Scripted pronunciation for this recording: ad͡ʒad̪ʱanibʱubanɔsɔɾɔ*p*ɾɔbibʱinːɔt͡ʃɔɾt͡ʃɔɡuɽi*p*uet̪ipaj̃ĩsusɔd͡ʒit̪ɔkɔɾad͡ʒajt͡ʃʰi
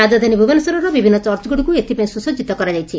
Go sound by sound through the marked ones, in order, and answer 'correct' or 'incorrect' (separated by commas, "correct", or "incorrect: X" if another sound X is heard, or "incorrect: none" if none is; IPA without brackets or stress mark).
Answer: incorrect: none, incorrect: k